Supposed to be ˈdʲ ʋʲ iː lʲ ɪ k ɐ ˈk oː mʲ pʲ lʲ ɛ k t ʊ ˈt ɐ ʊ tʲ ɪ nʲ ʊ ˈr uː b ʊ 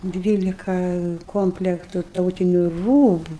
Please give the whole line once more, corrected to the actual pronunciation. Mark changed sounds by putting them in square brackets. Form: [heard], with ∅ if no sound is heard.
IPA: ˈdʲ ʋʲ iː lʲ ɪ k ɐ ˈk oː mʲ pʲ lʲ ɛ k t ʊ ˈt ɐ ʊ tʲ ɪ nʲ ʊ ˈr uː b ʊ